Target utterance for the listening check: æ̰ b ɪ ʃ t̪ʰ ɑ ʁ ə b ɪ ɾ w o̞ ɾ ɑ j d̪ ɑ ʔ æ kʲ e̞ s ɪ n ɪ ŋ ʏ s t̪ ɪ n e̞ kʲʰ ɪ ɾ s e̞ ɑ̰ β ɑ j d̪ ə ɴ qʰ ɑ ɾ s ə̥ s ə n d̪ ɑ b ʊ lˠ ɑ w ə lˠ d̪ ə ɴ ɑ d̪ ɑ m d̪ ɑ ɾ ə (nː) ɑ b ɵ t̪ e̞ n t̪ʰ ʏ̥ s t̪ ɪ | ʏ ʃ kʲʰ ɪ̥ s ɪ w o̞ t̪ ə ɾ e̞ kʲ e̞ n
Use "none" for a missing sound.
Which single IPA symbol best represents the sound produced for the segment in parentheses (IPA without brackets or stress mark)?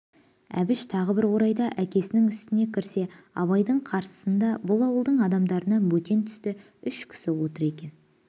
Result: n